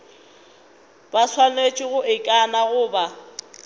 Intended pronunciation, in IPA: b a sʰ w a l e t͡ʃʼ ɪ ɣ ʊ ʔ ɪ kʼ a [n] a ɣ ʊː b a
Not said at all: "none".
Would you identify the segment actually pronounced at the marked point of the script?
n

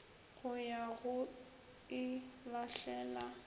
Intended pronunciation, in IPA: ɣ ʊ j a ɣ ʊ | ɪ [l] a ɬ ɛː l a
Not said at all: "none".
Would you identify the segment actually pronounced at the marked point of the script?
l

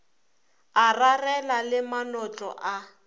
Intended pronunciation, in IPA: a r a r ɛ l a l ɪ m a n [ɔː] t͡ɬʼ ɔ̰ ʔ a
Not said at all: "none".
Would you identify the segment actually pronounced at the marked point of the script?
ɔ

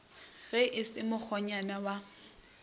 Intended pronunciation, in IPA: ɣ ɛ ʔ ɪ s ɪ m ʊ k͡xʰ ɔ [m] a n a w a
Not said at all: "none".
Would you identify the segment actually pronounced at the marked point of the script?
ɲ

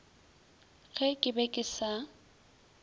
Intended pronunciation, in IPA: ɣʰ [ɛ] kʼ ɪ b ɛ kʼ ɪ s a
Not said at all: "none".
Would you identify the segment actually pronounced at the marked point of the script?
ɛ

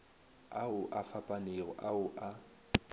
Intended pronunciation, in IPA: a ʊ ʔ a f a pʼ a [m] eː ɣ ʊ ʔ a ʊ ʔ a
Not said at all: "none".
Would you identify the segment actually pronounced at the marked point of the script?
n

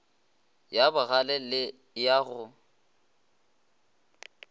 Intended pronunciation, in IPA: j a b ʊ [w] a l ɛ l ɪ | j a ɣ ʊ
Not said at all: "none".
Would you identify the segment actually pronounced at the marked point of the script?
ɣ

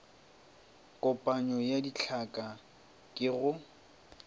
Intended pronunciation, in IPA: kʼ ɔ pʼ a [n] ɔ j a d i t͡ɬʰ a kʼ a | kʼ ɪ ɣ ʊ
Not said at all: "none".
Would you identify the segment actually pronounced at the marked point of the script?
ɲ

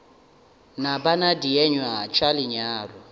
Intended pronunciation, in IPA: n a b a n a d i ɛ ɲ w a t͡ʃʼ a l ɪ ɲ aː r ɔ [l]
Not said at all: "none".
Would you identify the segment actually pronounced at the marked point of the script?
none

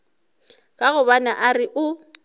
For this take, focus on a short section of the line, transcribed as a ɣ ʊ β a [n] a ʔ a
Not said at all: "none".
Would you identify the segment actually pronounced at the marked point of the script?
n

